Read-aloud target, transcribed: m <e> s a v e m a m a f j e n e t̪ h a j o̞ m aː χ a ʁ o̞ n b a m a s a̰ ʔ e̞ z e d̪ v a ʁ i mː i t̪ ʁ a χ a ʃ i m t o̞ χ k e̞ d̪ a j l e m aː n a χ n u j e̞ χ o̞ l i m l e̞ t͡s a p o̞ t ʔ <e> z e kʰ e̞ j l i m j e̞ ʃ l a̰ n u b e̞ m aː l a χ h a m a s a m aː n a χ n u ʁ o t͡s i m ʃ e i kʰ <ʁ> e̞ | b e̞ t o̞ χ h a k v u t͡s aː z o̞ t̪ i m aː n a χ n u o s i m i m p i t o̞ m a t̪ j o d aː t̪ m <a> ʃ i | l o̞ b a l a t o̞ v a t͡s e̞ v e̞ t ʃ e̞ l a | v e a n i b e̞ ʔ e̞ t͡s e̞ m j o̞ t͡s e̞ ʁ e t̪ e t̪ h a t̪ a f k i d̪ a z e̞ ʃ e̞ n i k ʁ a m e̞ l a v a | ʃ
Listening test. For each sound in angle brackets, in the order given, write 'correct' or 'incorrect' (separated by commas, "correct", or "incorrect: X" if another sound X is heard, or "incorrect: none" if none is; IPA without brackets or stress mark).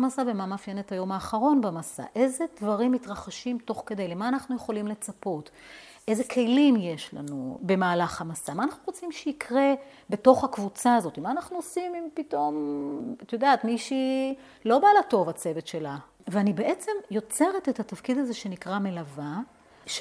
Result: incorrect: a, correct, correct, incorrect: i